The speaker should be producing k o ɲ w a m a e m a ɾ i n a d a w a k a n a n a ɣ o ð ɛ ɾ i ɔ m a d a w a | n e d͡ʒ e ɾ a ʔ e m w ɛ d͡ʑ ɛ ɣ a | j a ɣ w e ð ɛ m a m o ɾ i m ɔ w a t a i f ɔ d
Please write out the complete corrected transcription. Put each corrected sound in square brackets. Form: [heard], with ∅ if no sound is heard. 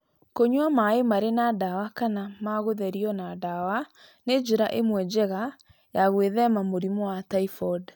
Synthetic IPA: k o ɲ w a m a e m a ɾ [e] n a d a w a k a n a [m] a ɣ o ð ɛ ɾ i ɔ [n] a d a w a | n e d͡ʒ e ɾ a ʔ e m w ɛ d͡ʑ ɛ ɣ a | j a ɣ w e ð ɛ m a m o ɾ i m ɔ w a t a i f ɔ d